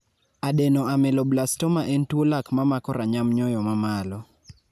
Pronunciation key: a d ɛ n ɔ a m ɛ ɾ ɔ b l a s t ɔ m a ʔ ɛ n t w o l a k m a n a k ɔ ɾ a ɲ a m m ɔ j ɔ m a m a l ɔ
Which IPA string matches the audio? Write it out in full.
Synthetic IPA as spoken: a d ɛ n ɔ a m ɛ l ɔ b l a s t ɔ m a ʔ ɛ n t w o l a k m a m a k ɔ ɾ a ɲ a m ɲ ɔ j ɔ m a m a l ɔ